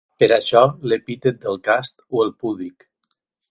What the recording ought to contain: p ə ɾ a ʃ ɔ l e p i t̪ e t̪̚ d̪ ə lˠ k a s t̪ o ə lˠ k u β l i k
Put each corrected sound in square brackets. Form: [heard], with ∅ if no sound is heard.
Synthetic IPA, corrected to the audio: p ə ɾ a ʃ ɔ l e p i t̪ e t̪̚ d̪ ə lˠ k a s t̪ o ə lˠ [p] u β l i k